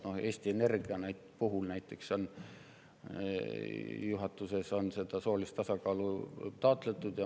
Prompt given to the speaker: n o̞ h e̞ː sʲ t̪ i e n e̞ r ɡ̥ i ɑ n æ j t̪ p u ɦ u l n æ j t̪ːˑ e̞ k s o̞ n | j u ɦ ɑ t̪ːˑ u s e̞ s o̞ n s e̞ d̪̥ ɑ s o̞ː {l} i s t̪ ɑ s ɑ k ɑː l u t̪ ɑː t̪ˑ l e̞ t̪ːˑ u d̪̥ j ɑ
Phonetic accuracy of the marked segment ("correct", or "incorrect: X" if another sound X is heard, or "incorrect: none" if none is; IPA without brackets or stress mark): correct